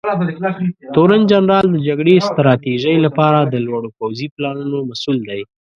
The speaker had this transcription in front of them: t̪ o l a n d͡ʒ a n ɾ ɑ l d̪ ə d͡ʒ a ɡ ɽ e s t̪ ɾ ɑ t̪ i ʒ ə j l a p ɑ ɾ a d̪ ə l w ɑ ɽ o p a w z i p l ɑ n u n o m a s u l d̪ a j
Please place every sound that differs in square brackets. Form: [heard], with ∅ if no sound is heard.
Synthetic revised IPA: t̪ o [ɾ] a n d͡ʒ a n ɾ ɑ l d̪ ə d͡ʒ a ɡ ɽ e s t̪ ɾ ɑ t̪ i ʒ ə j l a p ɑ ɾ a d̪ ə l w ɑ ɽ o p a w z i p l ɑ n u n o m a s u l d̪ a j